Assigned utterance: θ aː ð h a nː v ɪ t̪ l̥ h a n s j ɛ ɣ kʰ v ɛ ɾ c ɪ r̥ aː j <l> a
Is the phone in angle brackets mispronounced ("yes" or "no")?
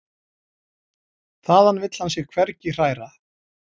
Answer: yes